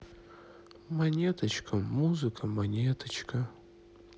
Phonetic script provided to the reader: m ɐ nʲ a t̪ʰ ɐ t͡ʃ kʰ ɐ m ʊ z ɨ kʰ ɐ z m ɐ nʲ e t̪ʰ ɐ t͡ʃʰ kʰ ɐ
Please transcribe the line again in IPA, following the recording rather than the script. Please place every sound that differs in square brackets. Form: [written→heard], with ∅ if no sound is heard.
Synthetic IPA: m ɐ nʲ [a→e] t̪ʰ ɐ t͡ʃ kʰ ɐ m [ʊ→u] z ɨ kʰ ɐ [z→∅] m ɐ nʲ e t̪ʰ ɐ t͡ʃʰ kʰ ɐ